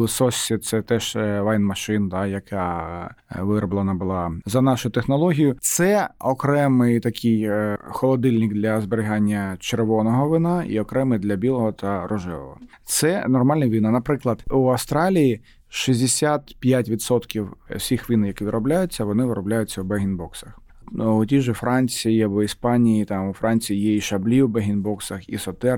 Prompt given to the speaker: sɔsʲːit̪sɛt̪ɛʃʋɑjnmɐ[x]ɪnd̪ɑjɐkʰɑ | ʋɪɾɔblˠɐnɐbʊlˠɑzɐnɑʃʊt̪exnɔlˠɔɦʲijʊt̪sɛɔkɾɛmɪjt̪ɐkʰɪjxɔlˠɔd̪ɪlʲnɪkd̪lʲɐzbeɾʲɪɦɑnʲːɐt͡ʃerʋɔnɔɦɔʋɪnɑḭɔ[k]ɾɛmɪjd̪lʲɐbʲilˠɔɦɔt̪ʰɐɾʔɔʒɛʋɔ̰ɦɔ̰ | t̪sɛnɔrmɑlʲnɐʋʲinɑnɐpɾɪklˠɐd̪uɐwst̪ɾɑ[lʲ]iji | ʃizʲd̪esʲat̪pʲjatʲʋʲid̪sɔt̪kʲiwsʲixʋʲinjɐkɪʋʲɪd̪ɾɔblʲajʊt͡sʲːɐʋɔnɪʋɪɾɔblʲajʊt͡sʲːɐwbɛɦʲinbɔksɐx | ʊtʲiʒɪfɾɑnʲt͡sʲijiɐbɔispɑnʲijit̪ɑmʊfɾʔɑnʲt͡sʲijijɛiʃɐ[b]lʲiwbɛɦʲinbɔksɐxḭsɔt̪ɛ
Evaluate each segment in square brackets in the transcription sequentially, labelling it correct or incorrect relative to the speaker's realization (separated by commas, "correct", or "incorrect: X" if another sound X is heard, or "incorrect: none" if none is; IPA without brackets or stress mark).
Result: incorrect: ʃ, correct, correct, correct